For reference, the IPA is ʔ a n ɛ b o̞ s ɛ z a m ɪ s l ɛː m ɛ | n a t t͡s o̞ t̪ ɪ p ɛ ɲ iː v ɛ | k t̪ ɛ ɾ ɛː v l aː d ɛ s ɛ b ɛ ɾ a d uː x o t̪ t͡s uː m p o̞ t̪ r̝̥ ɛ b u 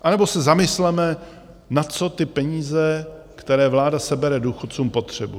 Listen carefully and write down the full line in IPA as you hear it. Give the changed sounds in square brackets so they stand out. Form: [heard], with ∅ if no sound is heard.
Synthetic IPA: ʔ a n ɛ b o̞ s ɛ z a m ɪ s l [ɛ] m ɛ | n a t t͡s o̞ t̪ ɪ p ɛ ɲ iː [z] ɛ | k t̪ ɛ ɾ ɛː v l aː d [a] s ɛ b ɛ ɾ [ɛ] d uː x o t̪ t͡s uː m p o̞ t̪ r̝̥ ɛ b u